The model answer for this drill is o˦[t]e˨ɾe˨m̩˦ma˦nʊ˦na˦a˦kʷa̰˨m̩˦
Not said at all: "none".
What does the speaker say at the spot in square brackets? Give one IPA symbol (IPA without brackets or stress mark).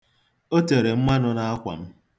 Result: t